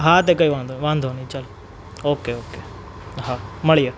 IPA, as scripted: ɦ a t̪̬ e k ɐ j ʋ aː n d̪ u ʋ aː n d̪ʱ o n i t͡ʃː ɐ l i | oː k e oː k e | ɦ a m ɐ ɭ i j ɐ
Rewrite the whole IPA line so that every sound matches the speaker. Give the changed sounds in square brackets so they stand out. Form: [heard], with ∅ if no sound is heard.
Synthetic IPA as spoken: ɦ a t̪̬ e k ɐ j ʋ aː n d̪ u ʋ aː n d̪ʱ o n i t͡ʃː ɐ l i | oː k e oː k e | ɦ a m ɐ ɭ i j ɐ